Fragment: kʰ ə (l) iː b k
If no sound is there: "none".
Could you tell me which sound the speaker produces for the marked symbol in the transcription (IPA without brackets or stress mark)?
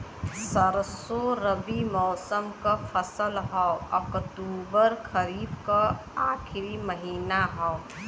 ɾ